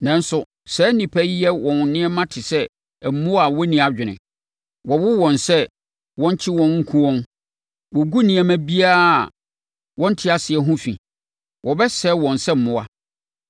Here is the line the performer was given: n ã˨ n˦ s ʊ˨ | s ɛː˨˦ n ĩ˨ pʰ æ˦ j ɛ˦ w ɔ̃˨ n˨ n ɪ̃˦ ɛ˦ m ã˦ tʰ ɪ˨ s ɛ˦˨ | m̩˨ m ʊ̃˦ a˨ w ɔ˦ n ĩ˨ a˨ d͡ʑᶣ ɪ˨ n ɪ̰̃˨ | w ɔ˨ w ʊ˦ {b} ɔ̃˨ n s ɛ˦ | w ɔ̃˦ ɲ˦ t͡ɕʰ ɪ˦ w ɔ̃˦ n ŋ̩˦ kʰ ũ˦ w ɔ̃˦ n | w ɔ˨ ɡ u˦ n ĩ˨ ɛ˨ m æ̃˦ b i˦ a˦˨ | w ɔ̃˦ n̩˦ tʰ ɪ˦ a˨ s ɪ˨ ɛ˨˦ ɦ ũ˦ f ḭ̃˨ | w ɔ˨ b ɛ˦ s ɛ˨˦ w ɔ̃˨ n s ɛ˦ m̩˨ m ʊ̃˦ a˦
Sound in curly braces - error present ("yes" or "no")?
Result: yes